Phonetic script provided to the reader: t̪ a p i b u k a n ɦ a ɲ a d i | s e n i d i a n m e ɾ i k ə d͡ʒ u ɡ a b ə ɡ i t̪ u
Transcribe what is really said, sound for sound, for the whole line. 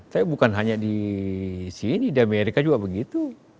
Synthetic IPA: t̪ a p i b u k a n ɦ a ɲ a d i | s i n i d i a m e ɾ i k a d͡ʒ u ɡ a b ə ɡ i t̪ u